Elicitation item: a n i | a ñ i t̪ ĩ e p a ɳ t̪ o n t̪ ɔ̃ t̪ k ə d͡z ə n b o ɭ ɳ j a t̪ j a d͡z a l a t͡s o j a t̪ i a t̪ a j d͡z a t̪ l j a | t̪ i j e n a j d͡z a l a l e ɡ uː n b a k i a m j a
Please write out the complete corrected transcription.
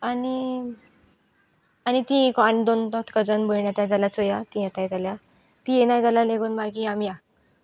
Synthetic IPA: a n i | a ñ i t̪ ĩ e k a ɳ d̪ o n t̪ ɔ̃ t̪ k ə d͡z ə n b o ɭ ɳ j a t̪ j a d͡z a l a t͡s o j a t̪ i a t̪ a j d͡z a l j a | t̪ i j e n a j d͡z a l a l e ɡ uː n b a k i a m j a